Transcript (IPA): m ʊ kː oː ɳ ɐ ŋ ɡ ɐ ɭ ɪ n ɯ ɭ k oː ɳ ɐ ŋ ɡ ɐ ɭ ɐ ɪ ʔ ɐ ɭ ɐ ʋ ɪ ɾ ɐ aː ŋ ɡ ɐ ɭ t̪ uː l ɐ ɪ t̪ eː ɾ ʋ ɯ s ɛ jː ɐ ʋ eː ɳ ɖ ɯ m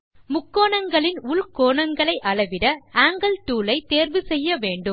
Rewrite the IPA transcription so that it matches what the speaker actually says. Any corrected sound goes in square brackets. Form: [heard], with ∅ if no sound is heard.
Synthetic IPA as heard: m ʊ kː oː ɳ ɐ ŋ ɡ ɐ ɭ ɪ n [ʊ] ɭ k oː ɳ ɐ ŋ ɡ ɐ ɭ ɐ ɪ ʔ ɐ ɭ ɐ ʋ ɪ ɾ ɐ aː ŋ ɡ ɐ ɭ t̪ uː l ɐ ɪ t̪ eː ɾ ʋ ɯ s ɛ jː ɐ ʋ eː ɳ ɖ ɯ m